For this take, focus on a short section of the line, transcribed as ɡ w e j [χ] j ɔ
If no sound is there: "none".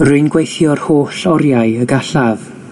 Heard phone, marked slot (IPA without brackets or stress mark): θ